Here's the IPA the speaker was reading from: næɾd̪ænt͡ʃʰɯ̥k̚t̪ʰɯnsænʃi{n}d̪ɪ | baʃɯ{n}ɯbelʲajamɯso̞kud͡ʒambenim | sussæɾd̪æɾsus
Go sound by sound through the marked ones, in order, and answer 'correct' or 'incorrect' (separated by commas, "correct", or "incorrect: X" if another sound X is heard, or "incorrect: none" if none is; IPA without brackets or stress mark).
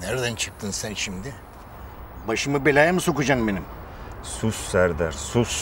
incorrect: m, incorrect: m